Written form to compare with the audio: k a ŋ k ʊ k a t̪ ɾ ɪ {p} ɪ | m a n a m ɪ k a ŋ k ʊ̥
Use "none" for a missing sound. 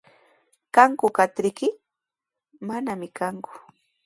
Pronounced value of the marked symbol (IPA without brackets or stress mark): k